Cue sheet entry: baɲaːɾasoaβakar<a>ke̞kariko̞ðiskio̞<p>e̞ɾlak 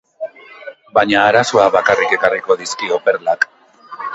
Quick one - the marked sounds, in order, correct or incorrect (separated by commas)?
incorrect, correct